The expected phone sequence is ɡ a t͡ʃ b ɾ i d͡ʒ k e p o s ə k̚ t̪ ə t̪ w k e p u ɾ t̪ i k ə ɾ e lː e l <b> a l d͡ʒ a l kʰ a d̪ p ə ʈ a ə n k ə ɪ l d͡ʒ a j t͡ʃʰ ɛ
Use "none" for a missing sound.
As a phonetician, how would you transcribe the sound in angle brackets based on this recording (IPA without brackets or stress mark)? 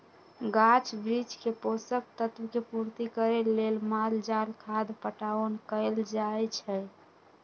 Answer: m